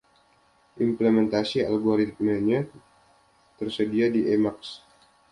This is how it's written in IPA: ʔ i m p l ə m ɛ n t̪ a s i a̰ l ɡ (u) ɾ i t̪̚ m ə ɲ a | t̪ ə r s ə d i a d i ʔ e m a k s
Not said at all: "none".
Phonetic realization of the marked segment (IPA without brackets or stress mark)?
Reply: o